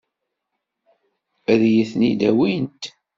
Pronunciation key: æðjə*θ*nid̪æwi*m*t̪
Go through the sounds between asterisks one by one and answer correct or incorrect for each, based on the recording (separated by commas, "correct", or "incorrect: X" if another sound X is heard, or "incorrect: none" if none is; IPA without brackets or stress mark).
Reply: correct, incorrect: n